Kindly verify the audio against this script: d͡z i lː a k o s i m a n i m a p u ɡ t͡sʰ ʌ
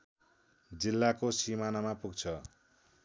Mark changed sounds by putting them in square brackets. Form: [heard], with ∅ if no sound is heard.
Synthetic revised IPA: d͡z i lː a k o s i m a n [a] m a p u ɡ t͡sʰ ʌ